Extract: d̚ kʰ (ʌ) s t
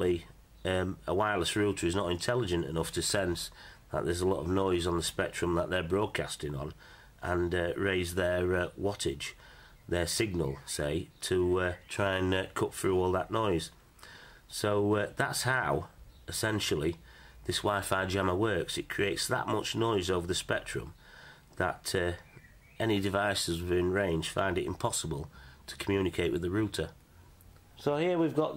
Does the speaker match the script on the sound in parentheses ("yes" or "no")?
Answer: no